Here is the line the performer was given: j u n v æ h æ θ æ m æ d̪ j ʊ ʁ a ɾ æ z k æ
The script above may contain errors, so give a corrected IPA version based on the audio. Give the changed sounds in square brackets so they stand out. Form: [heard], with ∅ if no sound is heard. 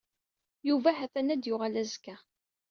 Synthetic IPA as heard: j u [∅] v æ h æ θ æ [n] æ d̪ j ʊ ʁ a [l] æ z k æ